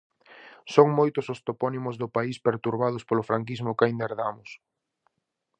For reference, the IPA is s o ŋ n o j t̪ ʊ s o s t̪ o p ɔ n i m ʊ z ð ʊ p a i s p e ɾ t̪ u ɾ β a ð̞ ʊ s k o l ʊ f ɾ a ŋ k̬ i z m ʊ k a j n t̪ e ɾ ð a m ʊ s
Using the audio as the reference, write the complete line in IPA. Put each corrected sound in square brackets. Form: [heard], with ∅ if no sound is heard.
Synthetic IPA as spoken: s o ŋ [m] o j t̪ ʊ s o s t̪ o p ɔ n i m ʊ z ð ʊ p a i s p e ɾ t̪ u ɾ β a ð̞ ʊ s [p] o l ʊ f ɾ a ŋ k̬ i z m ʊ k a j n [d̪] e ɾ ð a m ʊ s